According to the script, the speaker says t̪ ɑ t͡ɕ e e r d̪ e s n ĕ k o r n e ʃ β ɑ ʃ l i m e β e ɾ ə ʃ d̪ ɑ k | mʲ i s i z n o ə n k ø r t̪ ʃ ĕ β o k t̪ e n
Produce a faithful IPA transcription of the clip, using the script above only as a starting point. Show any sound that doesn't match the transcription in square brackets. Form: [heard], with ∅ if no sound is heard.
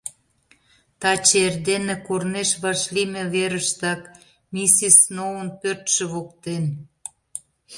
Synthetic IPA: t̪ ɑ t͡ɕ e e r d̪ e [∅] n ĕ k o r n e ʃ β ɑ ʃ l i m e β e ɾ ə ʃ [t̪] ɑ k | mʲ i s i [s] n o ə n [p] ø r t̪ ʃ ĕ β o k t̪ e n